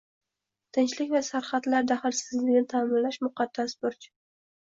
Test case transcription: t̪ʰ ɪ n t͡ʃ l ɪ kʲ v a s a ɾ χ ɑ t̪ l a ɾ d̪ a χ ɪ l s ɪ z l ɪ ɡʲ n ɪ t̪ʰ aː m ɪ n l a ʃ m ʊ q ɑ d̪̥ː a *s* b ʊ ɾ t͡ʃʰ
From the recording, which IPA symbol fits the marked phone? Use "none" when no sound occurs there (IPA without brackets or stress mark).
s